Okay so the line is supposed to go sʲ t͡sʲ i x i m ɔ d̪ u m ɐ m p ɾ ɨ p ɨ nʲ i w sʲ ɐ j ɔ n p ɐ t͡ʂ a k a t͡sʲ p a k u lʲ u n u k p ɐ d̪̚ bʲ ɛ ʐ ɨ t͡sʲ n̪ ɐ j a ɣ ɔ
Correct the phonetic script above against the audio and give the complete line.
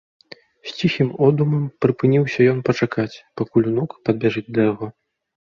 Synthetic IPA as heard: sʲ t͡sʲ i x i m ɔ d̪ u m ɐ m p ɾ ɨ p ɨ nʲ i w sʲ ɐ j ɔ n p ɐ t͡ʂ a k a t͡sʲ p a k u lʲ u n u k p ɐ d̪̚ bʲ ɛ ʐ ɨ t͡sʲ d̪ ɐ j a ɣ ɔ